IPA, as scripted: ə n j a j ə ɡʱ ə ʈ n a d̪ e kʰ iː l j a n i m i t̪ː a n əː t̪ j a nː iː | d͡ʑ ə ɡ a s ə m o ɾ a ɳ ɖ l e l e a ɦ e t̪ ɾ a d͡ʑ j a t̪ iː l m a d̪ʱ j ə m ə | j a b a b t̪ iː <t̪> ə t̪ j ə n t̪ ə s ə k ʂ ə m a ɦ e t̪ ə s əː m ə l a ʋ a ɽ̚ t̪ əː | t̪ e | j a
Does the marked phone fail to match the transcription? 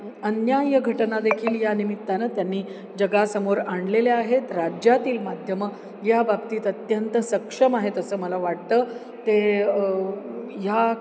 no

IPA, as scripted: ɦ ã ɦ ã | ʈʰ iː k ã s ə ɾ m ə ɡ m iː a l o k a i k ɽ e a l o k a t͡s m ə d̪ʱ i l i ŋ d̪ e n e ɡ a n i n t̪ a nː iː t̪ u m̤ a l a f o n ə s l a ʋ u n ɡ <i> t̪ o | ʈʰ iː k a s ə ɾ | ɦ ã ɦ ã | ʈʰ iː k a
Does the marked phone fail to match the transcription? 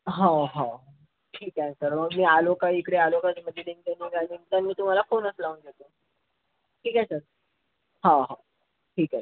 yes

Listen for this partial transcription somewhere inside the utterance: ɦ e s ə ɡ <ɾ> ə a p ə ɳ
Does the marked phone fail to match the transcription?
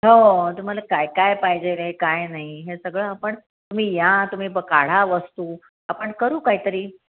yes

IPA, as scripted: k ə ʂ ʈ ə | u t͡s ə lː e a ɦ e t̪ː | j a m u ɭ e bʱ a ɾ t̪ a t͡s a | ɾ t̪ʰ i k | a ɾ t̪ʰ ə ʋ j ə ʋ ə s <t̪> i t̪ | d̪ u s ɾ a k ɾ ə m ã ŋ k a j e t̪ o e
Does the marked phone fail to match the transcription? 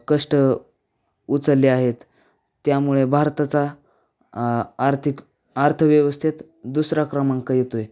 yes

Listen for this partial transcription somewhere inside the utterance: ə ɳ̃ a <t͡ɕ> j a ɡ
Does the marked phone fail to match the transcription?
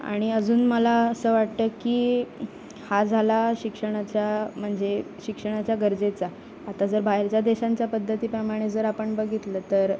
no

